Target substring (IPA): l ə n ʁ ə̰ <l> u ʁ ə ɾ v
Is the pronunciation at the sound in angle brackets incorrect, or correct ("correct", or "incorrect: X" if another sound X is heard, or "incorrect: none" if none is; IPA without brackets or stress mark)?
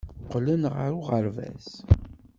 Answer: incorrect: ɾ